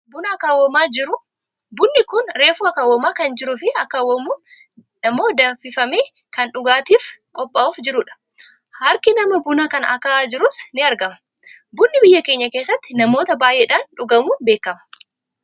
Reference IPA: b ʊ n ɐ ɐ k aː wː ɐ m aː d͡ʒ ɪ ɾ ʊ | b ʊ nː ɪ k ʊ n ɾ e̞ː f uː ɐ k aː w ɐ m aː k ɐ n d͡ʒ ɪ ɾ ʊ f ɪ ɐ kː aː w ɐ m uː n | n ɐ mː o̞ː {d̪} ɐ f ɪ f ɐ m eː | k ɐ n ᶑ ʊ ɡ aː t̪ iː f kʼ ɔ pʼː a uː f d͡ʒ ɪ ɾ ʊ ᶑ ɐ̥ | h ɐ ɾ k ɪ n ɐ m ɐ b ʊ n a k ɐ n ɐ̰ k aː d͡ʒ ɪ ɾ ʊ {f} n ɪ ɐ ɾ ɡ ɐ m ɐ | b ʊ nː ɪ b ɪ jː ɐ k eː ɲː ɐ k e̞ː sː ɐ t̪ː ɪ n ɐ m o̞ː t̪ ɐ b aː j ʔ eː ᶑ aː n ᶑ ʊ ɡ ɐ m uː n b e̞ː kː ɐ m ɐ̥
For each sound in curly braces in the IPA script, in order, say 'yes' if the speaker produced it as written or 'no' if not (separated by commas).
yes, no